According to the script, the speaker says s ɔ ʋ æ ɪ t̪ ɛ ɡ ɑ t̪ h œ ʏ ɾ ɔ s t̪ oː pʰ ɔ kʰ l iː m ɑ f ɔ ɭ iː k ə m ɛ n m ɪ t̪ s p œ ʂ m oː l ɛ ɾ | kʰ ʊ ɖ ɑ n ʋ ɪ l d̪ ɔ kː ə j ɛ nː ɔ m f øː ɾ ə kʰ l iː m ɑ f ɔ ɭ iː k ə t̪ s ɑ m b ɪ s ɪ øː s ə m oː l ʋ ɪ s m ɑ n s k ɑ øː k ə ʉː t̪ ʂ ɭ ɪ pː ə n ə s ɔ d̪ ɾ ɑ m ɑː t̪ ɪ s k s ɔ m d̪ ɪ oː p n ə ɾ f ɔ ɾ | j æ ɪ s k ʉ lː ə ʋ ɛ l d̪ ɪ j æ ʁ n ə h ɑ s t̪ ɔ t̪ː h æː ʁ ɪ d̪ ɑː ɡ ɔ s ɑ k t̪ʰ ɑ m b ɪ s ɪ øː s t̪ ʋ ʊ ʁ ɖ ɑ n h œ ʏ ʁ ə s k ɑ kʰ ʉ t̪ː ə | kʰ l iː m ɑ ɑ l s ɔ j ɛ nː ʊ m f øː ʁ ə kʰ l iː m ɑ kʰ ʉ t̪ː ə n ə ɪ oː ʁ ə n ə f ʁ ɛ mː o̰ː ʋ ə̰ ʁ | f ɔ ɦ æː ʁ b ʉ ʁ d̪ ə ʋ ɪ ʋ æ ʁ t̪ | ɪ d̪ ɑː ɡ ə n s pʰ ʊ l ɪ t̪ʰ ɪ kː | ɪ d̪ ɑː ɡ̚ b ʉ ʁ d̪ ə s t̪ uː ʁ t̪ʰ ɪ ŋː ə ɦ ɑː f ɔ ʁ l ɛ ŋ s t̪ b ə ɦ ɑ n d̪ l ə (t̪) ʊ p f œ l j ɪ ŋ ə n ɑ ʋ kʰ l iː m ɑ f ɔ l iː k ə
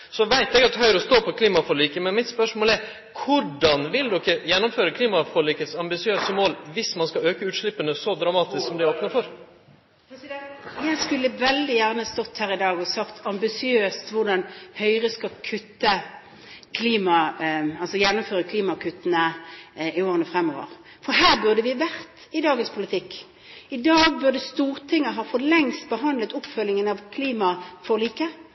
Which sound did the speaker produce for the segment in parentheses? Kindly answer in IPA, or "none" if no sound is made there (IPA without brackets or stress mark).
t̪